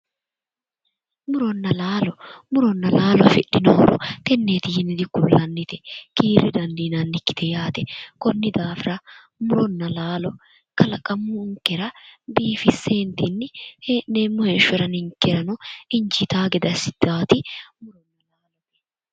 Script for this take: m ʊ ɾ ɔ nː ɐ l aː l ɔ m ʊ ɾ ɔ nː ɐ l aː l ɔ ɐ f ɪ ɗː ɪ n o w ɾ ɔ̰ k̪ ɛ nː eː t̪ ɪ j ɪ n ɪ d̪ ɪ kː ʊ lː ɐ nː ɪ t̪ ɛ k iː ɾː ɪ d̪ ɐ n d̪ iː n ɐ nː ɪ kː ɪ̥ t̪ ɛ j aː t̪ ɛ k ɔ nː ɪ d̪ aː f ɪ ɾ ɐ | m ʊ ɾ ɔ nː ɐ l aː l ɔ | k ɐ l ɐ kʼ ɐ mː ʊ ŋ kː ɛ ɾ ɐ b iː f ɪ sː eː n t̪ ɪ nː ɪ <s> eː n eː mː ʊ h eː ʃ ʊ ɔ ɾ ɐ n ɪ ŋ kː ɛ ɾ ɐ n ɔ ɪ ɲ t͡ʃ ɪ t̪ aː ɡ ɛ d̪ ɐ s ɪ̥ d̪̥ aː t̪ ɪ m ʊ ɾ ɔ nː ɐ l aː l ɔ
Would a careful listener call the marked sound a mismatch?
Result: yes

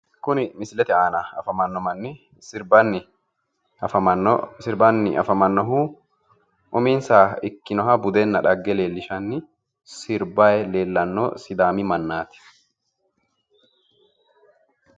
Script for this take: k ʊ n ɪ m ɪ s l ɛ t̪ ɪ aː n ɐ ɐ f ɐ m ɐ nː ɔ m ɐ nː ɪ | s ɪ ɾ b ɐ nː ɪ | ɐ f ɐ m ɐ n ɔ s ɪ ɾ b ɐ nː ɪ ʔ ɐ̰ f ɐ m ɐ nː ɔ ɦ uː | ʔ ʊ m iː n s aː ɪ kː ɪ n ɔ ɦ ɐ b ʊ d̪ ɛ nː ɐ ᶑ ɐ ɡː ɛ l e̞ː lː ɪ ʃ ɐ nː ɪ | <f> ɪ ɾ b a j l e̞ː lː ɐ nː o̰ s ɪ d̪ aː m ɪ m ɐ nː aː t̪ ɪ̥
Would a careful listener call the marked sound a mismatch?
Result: yes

